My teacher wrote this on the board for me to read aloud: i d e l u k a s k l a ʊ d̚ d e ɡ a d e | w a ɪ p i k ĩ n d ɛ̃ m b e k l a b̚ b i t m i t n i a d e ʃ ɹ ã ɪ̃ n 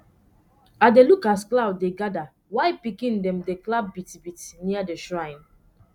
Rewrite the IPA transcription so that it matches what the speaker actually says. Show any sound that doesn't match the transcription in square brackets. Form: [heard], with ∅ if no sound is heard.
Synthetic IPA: [a] d e l u k a s k l a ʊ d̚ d e ɡ a d [a] | w a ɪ p i k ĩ n d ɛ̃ m [d] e k l a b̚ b i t [b] i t n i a d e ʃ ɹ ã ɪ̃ n